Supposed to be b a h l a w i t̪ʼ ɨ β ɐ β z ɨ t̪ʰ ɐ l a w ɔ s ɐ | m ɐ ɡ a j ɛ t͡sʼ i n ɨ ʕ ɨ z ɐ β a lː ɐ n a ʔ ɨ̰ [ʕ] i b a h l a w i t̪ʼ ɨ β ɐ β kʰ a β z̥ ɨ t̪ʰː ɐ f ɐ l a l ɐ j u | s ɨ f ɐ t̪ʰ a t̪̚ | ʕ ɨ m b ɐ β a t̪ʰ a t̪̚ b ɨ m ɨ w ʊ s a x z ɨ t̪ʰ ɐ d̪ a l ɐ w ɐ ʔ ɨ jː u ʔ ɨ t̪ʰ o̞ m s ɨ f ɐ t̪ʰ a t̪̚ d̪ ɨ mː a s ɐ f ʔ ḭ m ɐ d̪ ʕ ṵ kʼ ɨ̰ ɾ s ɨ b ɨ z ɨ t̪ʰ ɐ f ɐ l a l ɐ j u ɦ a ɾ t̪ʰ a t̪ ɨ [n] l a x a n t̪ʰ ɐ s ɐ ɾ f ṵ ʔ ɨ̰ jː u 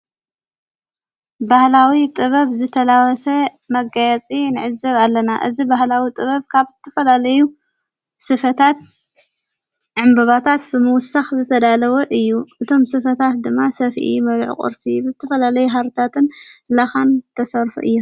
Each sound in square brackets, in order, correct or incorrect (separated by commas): incorrect, correct